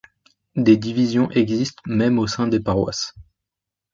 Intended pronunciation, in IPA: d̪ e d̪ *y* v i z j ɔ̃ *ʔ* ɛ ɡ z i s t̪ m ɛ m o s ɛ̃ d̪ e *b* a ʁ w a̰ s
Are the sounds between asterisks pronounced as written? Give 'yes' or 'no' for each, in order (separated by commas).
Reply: no, yes, no